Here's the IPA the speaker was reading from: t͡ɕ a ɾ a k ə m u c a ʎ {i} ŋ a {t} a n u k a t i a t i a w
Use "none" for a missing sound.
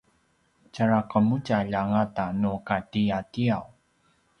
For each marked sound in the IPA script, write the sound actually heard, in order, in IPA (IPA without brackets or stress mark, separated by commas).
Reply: a, t